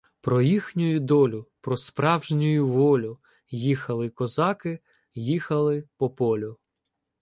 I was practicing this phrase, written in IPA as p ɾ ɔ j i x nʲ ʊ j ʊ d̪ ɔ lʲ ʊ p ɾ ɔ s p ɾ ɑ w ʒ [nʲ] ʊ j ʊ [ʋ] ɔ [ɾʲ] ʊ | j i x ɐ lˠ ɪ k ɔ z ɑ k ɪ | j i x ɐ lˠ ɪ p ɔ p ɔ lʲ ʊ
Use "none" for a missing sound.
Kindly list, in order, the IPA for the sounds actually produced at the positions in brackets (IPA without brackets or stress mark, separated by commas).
nʲ, ʋ, lʲ